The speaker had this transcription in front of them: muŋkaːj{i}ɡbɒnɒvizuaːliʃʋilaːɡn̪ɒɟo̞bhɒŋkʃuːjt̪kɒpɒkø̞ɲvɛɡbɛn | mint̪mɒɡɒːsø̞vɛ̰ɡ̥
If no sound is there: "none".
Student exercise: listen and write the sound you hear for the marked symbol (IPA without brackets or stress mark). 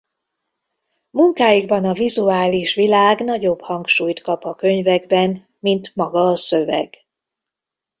i